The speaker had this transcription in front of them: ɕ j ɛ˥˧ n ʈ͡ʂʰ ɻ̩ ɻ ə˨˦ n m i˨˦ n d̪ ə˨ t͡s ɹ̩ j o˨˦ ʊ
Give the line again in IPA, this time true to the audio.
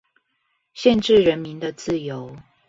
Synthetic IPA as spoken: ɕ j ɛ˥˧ n ʈ͡ʂ ɻ̩ ɻ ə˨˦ n m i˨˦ n d̪ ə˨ t͡s ɹ̩ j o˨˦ ʊ